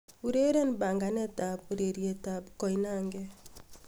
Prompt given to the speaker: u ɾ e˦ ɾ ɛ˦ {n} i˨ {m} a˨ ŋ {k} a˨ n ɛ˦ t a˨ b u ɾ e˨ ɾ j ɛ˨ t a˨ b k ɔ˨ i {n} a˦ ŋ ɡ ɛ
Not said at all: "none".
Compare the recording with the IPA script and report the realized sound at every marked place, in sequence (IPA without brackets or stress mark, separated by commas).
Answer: n, b, ɡ, n